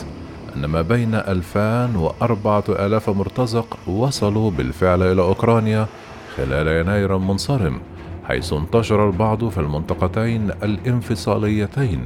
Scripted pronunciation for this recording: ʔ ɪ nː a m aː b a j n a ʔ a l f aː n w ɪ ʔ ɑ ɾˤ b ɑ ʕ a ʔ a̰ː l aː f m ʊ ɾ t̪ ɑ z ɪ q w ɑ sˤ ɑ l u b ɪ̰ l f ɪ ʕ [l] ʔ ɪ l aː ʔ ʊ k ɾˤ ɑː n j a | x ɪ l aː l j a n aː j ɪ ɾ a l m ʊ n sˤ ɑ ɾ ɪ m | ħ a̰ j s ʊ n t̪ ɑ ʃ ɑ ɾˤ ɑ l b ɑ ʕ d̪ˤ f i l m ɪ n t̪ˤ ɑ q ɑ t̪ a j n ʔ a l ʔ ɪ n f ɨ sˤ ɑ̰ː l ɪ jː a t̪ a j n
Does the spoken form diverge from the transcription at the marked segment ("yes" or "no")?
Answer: no